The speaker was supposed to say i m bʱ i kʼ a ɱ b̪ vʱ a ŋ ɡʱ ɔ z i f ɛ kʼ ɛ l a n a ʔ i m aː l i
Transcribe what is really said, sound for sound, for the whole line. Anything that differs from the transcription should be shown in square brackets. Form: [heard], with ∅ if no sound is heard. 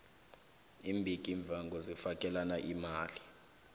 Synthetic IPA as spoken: i m bʱ i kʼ [i] ɱ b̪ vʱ a ŋ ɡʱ ɔ z i f [a] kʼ ɛ l a n a ʔ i m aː l i